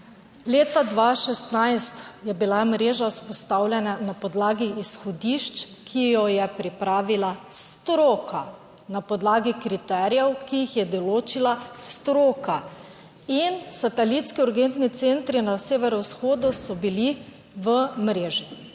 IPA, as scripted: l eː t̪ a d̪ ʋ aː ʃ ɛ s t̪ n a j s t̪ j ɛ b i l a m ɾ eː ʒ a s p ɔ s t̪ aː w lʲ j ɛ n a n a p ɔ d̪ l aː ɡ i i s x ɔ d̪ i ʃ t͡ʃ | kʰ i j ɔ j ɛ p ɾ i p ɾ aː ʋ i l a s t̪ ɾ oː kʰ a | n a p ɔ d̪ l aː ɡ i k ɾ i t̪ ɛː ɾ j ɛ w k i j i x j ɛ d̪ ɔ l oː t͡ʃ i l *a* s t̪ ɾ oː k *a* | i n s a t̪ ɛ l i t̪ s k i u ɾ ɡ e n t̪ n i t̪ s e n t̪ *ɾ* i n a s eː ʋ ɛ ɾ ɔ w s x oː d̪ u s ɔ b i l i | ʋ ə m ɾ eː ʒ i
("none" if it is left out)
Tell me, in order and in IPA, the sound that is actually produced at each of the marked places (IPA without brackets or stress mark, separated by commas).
a, a, ɾ